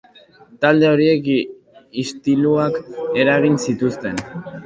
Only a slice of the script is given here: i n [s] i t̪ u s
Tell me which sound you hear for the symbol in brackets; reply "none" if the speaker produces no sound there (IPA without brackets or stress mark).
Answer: s